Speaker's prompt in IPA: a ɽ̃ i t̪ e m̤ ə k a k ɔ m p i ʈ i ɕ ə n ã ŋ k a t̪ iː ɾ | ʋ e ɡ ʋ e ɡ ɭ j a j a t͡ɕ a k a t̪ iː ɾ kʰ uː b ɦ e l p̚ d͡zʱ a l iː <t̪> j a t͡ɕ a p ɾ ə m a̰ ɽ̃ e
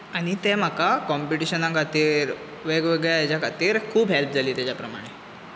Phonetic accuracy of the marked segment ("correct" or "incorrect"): correct